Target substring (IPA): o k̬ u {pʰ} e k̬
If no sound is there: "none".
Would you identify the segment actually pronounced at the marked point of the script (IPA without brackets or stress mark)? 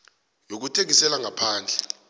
tʰ